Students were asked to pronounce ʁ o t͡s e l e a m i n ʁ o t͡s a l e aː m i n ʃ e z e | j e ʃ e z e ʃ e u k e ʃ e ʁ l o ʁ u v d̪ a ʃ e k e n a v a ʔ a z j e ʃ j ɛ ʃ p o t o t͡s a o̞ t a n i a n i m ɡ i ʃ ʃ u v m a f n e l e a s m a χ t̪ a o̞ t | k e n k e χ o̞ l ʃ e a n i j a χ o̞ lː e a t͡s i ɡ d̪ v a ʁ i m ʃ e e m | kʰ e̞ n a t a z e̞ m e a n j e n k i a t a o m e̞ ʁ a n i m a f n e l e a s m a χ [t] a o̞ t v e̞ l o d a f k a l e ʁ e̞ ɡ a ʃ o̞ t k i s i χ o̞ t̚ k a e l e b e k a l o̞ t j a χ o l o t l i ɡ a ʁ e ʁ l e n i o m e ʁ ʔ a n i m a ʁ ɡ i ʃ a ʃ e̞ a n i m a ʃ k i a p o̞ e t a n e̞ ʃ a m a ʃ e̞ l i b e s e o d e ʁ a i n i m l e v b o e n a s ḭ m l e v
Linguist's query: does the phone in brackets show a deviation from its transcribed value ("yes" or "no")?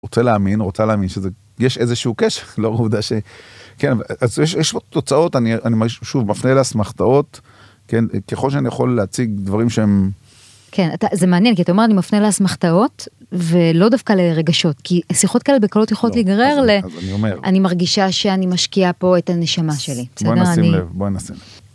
no